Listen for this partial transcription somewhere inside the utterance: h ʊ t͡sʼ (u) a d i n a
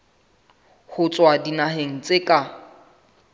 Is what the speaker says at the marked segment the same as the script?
no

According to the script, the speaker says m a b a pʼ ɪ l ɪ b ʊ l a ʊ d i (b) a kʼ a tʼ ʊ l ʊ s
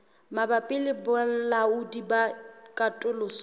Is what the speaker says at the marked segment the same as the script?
yes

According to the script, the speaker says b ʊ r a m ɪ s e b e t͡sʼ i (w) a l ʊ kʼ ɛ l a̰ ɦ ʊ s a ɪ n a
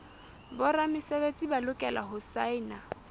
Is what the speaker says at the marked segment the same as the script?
no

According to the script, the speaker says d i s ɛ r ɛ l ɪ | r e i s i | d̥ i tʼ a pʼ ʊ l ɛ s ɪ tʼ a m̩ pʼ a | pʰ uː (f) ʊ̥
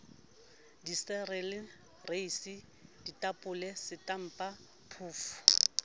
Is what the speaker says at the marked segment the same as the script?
yes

